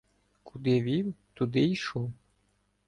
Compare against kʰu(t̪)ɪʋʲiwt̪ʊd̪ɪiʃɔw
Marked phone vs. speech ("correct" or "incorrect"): incorrect